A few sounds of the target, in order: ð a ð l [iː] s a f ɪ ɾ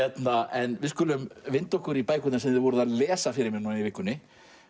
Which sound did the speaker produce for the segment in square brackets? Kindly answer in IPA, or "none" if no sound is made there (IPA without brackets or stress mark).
ɛː